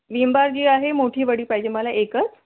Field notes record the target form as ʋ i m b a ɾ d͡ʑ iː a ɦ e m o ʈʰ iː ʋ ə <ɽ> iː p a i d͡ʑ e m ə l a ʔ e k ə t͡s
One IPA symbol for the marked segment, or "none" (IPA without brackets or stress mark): ɽ